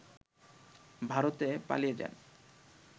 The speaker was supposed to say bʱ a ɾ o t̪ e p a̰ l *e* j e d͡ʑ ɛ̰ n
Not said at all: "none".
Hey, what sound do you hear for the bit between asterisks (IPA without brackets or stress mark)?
i